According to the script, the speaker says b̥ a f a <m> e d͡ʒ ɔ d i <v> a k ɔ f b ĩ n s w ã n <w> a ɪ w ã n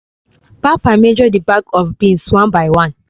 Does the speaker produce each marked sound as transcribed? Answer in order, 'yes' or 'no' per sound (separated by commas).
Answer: yes, no, no